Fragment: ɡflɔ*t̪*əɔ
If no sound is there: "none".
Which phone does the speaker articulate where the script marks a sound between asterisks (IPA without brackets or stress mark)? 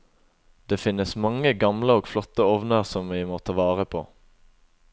t̪